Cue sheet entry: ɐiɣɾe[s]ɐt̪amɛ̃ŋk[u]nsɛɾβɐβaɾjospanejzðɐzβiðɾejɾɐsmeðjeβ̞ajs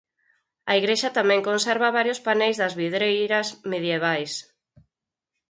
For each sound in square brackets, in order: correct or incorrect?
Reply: incorrect: ʃ, incorrect: o

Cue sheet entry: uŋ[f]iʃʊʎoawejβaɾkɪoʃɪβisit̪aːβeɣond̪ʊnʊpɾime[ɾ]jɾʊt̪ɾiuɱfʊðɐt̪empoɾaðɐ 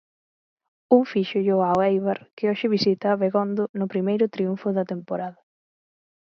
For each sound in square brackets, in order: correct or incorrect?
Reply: correct, incorrect: none

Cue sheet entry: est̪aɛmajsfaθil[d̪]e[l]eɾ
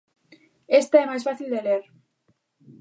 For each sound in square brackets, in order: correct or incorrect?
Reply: correct, correct

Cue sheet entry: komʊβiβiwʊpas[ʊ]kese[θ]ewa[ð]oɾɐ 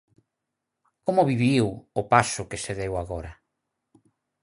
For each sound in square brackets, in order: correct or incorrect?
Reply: correct, incorrect: ð, incorrect: ɣ

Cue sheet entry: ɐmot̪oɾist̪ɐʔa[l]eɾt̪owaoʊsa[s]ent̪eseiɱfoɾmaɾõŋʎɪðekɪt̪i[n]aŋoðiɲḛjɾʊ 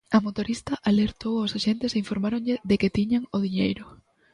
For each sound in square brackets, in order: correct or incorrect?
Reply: correct, incorrect: ʃ, incorrect: ɲ

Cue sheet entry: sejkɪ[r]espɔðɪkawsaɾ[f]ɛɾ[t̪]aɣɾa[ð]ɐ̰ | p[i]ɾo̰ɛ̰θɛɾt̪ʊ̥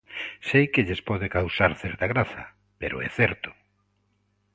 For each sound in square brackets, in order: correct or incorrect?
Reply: incorrect: ʎ, incorrect: θ, correct, incorrect: θ, incorrect: e

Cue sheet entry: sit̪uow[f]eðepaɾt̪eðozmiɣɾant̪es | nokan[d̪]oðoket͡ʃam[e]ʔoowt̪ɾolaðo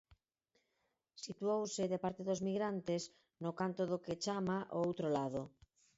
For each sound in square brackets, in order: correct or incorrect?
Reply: incorrect: s, incorrect: t̪, incorrect: a

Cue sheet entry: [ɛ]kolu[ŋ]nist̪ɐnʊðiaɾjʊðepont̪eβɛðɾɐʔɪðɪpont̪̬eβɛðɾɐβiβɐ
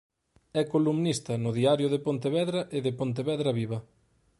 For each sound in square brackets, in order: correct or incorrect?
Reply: correct, incorrect: m

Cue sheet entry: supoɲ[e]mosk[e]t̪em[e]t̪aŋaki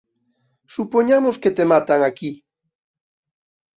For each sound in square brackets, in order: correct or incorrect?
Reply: incorrect: a, correct, incorrect: a

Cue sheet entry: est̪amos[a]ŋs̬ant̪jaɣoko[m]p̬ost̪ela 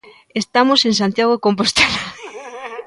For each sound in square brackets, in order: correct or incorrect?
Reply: incorrect: e, correct

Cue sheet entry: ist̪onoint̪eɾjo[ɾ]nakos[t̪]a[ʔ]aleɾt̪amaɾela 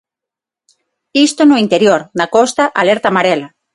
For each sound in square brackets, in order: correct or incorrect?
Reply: correct, correct, correct

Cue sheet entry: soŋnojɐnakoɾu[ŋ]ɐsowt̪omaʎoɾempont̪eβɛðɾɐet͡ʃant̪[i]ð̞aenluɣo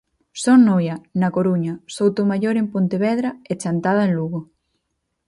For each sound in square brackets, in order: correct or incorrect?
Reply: incorrect: ɲ, incorrect: a

